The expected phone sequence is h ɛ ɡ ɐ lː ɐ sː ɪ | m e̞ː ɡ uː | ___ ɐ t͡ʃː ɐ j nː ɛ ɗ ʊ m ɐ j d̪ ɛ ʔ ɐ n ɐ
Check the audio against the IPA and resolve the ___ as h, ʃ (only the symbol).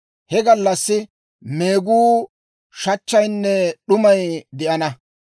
ʃ